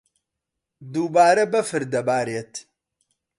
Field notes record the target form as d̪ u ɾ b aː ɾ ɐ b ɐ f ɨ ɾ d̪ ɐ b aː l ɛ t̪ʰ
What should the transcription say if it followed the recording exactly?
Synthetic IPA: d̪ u b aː ɾ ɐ b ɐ f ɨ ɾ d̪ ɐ b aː ɾ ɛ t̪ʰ